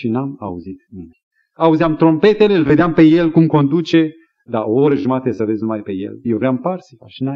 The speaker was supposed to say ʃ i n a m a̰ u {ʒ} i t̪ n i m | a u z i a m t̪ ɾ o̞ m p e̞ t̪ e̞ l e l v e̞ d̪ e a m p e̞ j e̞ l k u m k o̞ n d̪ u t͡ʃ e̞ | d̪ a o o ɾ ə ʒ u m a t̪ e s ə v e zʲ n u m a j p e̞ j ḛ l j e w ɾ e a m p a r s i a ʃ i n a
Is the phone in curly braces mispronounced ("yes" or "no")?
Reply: yes